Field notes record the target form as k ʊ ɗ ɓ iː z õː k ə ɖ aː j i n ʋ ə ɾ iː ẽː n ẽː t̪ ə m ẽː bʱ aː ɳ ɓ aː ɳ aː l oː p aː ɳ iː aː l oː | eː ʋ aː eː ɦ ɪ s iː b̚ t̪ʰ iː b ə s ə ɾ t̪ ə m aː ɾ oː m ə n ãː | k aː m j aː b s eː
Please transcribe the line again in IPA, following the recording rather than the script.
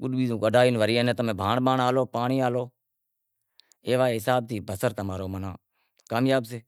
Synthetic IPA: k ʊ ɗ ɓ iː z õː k ə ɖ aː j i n ʋ ə ɾ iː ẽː n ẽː t̪ ə m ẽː bʱ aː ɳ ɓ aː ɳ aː l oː p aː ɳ iː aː l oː | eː ʋ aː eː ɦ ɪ s aː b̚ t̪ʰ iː b ə s ə ɾ t̪ ə m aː ɾ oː m ə n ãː | k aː m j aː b s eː